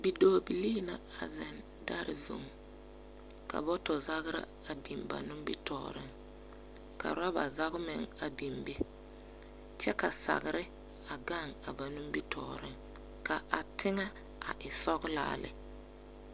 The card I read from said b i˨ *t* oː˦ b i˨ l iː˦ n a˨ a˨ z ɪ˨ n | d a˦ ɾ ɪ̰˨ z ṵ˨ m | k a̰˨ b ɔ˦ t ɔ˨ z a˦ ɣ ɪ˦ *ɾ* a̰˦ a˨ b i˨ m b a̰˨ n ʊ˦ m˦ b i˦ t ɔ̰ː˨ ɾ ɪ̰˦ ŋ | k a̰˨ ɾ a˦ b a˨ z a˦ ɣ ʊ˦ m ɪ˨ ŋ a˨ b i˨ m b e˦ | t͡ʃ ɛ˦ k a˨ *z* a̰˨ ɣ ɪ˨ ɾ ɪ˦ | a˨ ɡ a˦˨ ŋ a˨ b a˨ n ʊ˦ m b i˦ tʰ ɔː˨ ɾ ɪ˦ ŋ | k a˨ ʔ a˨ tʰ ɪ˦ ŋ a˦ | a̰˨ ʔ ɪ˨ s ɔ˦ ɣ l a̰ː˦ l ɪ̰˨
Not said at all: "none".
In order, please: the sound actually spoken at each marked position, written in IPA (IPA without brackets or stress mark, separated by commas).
d, ɾ, s